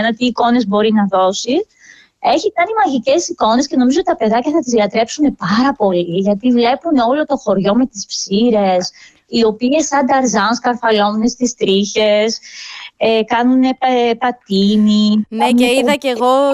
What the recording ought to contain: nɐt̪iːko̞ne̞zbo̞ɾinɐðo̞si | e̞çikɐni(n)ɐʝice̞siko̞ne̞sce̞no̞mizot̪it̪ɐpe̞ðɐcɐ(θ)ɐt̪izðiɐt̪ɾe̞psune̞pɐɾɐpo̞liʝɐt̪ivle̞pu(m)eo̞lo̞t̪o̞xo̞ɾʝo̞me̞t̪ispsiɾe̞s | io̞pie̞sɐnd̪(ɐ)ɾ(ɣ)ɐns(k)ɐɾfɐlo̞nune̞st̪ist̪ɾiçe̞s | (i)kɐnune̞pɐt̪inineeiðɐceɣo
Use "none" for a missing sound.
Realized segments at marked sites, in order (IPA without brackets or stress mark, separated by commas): m, θ, n, ɐ, z, k, e